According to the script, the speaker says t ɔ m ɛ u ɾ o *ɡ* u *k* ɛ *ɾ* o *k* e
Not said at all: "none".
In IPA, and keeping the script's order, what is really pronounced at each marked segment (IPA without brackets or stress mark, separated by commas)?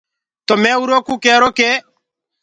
k, k, ɾ, k